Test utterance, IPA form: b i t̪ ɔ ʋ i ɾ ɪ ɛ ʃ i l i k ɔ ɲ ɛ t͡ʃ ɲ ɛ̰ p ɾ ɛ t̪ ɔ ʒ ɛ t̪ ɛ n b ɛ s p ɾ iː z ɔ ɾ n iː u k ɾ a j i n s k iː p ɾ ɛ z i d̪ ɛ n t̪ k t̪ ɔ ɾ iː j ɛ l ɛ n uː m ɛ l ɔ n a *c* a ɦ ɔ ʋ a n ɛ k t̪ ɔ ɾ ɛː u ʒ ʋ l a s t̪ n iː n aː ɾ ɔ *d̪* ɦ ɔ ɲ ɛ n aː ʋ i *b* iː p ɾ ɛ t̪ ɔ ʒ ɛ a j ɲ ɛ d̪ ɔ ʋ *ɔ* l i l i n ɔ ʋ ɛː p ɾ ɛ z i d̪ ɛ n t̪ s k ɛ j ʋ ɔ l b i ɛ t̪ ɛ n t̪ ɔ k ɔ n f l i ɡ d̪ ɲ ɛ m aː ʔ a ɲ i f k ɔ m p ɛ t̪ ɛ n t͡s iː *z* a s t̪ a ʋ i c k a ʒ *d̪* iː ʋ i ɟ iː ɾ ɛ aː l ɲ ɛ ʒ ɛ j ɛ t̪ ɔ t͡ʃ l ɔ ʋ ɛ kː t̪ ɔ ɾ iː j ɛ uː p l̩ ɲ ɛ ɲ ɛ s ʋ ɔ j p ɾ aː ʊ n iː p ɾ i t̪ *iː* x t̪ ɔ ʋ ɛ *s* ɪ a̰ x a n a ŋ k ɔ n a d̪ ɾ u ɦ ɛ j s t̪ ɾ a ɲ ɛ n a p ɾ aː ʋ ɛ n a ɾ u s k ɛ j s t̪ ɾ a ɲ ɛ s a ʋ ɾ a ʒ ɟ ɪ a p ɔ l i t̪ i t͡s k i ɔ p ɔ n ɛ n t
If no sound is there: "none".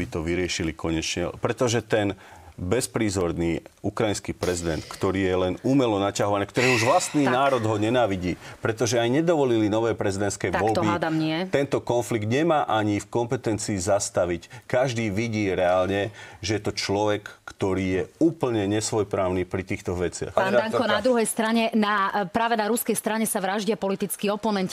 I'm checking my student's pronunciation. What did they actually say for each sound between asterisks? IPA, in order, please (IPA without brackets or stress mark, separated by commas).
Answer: c, d̪, ɟ, ɔ, z, d̪, iː, t͡s